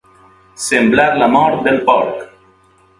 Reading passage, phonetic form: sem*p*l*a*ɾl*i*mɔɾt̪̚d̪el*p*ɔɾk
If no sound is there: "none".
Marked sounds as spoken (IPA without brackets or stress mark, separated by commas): b, a, a, p